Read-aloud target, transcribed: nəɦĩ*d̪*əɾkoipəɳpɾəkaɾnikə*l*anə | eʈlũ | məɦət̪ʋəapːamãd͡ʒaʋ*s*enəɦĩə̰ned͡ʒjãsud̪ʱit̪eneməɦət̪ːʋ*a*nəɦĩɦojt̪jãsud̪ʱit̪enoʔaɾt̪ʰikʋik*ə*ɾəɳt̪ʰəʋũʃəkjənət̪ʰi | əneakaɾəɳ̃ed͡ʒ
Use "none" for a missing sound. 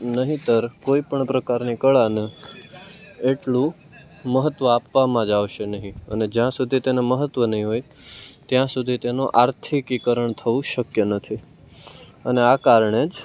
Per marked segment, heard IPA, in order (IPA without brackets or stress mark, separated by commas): t̪, ɭ, ʃ, ə, ə